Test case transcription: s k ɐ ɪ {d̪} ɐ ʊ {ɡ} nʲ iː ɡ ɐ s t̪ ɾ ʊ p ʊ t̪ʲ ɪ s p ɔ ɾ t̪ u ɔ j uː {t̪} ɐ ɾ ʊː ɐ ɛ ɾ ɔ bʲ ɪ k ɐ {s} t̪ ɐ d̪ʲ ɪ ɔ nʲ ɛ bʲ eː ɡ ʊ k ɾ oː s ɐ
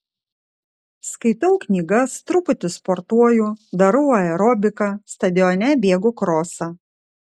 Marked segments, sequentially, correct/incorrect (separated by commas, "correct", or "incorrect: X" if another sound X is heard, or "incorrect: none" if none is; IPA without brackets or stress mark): incorrect: t̪, incorrect: k, incorrect: d̪, correct